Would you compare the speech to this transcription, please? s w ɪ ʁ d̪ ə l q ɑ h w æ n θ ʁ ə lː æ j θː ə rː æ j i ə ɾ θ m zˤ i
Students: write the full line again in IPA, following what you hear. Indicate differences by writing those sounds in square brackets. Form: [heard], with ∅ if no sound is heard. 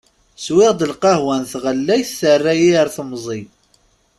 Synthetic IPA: s w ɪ ʁ d̪ ə l q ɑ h w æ n θ ʁ ə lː æ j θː ə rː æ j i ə ɾ θ m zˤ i

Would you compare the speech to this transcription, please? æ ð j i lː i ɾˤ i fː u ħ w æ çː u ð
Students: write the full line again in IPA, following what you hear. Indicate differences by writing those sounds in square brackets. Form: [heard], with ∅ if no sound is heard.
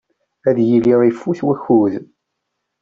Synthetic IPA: æ ð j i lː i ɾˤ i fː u [θ] w æ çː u ð

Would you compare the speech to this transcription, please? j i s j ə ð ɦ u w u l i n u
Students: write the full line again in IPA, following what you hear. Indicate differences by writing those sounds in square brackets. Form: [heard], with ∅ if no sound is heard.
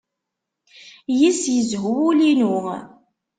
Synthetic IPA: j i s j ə [z] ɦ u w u l i n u

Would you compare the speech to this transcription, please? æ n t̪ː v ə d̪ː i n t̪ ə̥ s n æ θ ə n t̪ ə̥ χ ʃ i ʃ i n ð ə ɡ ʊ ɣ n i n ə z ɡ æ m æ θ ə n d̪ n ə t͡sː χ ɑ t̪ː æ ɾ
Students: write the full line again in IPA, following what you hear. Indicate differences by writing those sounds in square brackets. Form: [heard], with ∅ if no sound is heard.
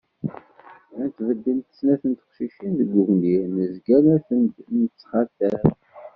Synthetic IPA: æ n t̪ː v ə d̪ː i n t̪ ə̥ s n æ θ ə n t̪ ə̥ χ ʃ i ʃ i n ð ə ɡ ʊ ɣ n i n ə z ɡ æ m æ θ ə n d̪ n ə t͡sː χ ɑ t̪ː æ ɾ

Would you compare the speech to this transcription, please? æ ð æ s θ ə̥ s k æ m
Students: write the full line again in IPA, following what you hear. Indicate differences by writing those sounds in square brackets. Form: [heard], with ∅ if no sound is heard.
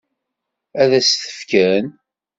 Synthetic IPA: æ ð æ s θ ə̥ [f] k æ [n]

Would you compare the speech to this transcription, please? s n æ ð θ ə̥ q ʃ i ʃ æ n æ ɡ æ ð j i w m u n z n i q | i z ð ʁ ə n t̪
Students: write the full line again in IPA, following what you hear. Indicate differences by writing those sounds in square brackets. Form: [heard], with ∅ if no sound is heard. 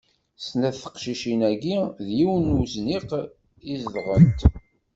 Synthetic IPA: s n æ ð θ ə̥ q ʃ i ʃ [i] n æ ɡ [i] ð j i w [n] u [∅] z n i q | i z ð ʁ ə n t̪

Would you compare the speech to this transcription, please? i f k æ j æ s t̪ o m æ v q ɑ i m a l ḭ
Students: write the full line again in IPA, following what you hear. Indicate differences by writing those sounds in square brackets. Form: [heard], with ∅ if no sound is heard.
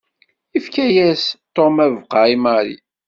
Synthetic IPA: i f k æ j æ s t̪ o m æ v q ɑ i m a [ɾ] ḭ

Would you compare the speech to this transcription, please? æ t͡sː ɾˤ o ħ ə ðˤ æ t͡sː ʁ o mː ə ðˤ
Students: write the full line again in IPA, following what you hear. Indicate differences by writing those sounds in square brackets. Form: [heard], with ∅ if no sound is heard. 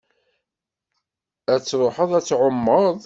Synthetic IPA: æ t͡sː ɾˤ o ħ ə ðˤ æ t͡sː [ʕ] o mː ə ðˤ

